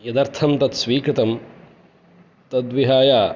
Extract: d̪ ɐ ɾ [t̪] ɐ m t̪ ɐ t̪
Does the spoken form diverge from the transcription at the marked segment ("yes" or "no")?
yes